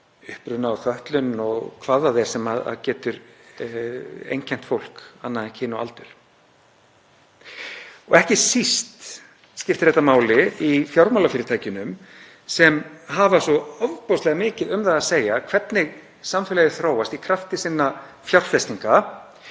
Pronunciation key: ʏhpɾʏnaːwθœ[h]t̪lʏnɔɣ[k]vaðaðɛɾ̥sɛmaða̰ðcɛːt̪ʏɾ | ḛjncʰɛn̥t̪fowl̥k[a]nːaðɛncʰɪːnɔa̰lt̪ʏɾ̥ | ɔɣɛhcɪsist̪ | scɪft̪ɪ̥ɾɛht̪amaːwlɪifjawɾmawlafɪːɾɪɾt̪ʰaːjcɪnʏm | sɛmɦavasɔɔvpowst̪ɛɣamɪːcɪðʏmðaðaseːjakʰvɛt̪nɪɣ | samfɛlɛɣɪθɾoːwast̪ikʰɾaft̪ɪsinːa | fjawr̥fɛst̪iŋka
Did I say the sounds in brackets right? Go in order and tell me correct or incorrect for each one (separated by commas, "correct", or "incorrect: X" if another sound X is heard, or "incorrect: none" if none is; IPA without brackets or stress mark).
correct, incorrect: kʰ, correct